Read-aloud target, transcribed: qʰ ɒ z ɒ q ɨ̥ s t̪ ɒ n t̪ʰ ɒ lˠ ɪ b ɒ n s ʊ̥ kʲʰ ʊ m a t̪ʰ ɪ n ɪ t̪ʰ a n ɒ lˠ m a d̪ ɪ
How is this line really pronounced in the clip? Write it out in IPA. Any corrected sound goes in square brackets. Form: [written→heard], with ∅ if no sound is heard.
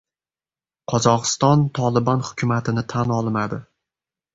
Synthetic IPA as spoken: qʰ ɒ z ɒ q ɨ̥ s t̪ ɒ n t̪ʰ ɒ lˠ ɪ b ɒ n [s→h] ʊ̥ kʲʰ ʊ m a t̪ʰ ɪ n ɪ t̪ʰ a n ɒ lˠ m a d̪ ɪ